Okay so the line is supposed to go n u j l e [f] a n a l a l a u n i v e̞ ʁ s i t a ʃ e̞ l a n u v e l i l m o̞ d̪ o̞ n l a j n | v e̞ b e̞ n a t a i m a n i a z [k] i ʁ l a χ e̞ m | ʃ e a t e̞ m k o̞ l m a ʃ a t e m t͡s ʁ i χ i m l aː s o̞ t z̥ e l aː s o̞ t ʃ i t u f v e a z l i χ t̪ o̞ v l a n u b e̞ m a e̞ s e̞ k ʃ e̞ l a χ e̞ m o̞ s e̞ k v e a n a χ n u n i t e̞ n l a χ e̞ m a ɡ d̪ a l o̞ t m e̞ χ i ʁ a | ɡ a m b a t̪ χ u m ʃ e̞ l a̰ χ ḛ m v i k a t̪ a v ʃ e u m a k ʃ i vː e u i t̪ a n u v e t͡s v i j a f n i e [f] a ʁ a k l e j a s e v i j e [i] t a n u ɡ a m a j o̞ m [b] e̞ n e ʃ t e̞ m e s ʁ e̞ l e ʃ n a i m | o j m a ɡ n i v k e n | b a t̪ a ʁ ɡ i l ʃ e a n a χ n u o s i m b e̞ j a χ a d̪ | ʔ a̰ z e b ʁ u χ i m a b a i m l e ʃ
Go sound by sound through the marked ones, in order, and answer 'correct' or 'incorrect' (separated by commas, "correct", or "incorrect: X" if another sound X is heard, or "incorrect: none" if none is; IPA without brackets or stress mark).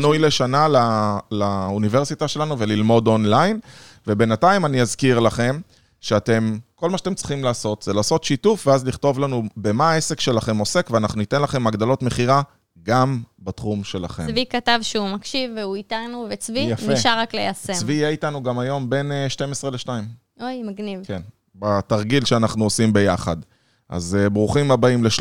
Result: incorrect: ʃ, correct, incorrect: ʃ, correct, correct